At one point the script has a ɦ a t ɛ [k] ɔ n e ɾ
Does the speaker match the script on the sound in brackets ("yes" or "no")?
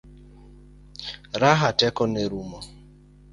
yes